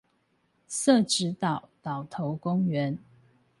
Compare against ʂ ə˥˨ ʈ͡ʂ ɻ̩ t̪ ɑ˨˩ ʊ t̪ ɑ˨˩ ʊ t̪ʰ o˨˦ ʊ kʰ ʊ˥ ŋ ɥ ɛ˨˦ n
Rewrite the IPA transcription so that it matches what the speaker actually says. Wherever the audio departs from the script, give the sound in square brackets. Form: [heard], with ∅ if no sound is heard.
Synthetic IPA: [s] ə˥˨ ʈ͡ʂ ɻ̩ t̪ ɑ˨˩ ʊ t̪ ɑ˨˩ ʊ t̪ʰ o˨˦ ʊ [k] ʊ˥ ŋ ɥ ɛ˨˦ n